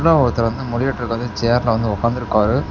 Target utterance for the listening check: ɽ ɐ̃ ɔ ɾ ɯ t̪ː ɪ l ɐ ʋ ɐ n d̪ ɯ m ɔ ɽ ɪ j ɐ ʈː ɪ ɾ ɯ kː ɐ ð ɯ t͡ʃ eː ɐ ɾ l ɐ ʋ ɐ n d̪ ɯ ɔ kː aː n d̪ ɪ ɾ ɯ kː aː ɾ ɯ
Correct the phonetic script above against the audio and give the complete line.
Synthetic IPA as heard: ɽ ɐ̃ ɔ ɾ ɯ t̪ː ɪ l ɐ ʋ ɐ n d̪ ɯ m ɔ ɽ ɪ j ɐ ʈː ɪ ɾ ɯ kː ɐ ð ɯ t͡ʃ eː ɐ ɾ l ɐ ʋ ɐ n d̪ ɯ ɔ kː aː n d̪ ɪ ɾ ɯ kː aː ɾ ɯ

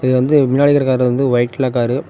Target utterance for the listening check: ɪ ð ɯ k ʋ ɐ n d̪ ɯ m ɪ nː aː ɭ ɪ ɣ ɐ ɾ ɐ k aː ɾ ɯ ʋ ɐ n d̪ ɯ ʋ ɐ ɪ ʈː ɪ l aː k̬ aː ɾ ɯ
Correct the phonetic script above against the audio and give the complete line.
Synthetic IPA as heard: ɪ ð ɯ ʋ ɐ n d̪ ɯ m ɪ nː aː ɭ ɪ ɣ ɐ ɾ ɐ k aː ɾ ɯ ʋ ɐ n d̪ ɯ ʋ ɐ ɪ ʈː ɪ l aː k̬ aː ɾ ɯ

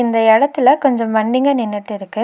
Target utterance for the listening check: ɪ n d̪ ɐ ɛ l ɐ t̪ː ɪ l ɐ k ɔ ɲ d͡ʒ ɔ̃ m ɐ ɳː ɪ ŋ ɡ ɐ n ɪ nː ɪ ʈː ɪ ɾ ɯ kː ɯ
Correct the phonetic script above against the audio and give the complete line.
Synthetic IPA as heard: ɪ n d̪ ɐ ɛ ɽ ɐ t̪ː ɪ l ɐ k ɔ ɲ d͡ʒ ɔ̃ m ɐ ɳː ɪ ŋ ɡ ɐ n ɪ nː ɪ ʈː ɪ ɾ ɯ kː ɯ

